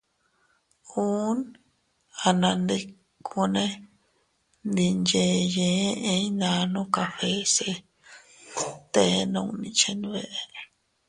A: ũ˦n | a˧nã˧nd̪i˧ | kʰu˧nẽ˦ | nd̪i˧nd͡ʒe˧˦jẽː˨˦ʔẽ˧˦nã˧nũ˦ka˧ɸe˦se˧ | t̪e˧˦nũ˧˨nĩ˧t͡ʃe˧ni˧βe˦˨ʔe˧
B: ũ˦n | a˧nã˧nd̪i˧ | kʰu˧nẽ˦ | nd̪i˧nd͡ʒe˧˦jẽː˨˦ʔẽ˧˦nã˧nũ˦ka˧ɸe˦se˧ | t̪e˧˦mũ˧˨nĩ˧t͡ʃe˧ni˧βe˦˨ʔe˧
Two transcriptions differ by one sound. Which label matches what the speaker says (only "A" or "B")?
A